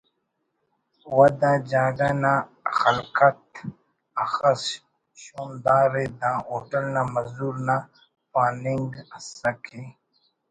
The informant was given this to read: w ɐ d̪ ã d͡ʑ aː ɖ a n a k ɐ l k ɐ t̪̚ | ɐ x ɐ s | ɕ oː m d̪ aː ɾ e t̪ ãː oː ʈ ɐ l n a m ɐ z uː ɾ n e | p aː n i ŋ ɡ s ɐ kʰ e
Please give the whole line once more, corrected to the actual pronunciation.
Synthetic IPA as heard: w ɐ d̪ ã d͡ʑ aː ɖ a n a x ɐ l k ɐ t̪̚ | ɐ x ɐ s | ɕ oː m d̪ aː ɾ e d̪ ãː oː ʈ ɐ l n a m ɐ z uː ɾ n a | p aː n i ŋ ɡ s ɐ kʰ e